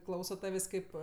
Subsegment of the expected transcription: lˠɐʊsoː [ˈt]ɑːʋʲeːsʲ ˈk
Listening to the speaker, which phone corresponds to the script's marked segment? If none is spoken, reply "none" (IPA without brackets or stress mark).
t